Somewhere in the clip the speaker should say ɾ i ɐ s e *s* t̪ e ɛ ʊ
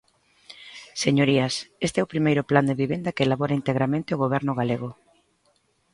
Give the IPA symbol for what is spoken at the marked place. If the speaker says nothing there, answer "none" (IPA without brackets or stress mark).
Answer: s